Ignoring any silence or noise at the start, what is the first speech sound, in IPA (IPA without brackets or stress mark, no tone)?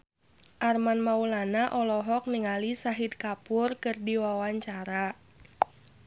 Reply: ʔ